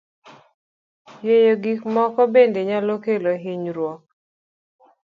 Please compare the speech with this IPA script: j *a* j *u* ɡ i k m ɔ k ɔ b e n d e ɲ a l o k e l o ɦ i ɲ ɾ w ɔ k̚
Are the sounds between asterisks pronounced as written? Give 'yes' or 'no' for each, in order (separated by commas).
no, no